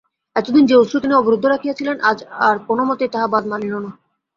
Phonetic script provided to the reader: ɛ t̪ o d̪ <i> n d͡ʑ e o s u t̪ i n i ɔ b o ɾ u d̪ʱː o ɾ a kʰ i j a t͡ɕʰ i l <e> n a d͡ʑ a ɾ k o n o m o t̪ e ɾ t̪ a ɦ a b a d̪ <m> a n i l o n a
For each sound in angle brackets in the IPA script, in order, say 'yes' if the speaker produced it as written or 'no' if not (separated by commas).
yes, yes, yes